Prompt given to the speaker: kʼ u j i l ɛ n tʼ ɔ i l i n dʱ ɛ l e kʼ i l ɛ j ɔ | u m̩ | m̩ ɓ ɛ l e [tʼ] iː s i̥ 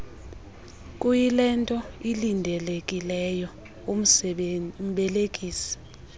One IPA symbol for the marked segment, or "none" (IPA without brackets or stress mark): kʼ